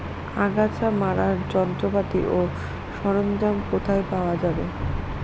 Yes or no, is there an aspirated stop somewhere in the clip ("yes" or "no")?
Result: yes